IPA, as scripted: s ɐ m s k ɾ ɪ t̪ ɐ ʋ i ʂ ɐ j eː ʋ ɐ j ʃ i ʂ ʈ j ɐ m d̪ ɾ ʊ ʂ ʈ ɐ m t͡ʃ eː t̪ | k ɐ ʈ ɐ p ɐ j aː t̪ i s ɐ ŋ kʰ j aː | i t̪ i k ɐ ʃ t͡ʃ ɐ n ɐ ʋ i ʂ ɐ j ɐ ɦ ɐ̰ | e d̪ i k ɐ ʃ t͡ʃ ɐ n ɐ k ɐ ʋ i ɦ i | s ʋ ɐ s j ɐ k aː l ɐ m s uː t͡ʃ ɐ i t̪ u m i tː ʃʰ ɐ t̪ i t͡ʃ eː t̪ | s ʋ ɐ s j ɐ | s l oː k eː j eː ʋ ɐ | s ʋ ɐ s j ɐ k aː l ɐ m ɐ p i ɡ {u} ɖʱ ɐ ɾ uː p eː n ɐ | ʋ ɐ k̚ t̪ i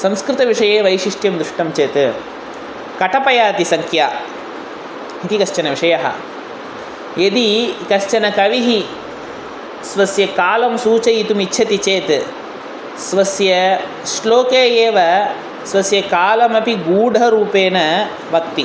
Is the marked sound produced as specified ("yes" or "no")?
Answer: no